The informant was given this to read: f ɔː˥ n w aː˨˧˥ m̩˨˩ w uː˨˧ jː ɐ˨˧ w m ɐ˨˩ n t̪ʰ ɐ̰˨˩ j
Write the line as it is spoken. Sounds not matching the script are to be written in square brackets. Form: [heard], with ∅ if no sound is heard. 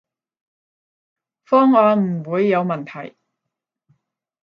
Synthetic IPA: f ɔː˥ [ŋ] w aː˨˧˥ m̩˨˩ w uː˨˧ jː ɐ˨˧ w m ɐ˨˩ n t̪ʰ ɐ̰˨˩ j